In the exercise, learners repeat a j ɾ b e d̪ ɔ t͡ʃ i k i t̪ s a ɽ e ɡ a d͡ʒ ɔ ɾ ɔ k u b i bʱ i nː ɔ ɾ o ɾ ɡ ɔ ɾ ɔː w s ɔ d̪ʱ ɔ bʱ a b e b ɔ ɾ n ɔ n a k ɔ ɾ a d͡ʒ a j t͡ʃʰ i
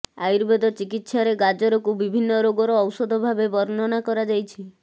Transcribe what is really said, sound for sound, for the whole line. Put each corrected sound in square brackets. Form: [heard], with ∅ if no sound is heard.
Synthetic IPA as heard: a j ɾ b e d̪ ɔ t͡ʃ i k i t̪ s a [ɾ] e ɡ a d͡ʒ ɔ ɾ ɔ k u b i bʱ i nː ɔ ɾ o [∅] ɡ ɔ ɾ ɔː w s ɔ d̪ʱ ɔ bʱ a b e b ɔ ɾ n ɔ n a k ɔ ɾ a d͡ʒ a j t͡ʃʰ i